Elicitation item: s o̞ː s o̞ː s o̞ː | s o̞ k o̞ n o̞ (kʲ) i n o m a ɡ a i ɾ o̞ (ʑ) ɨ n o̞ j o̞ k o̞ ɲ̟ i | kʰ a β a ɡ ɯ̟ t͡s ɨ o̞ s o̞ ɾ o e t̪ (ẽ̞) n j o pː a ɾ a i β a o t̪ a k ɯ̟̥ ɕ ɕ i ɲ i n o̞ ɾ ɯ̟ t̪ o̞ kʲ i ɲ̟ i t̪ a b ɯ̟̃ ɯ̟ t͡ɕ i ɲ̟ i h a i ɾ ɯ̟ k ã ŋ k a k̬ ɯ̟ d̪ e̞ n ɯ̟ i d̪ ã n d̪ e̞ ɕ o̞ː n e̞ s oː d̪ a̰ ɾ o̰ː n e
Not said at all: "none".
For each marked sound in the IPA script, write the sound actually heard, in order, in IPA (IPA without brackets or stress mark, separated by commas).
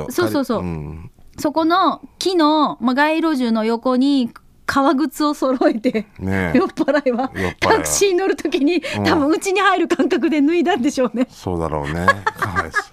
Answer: kʲ, ʑ, e̞